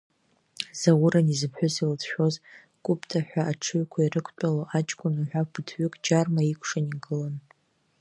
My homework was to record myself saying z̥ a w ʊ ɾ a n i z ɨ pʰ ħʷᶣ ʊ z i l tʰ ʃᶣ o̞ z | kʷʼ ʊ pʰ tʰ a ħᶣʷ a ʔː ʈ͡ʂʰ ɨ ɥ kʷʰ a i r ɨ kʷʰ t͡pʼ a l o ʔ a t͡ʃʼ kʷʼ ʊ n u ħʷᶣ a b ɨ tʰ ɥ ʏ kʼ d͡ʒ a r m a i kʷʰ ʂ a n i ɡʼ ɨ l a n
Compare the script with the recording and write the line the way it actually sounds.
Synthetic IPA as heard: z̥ a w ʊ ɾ a n i z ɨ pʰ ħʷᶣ ʊ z i l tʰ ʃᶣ o̞ z | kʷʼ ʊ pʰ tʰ a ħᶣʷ a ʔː ʈ͡ʂʰ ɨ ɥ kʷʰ a i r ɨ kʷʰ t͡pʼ a l o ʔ a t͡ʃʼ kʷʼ ʊ n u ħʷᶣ a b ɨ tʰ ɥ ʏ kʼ d͡ʒ a r m a i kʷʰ ʂ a n i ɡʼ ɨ l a n